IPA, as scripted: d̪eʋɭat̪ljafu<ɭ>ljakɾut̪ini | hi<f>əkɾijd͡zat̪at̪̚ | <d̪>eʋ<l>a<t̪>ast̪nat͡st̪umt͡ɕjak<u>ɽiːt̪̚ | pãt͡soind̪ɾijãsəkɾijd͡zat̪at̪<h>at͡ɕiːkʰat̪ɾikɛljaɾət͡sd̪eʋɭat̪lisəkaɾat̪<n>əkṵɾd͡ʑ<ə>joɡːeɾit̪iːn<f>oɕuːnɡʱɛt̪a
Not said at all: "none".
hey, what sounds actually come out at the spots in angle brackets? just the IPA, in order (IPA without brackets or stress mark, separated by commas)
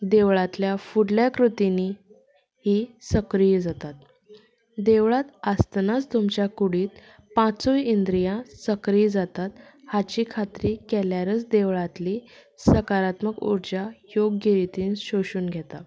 ɽ, s, d̪, ɭ, t̪, u, h, m, a, ɕ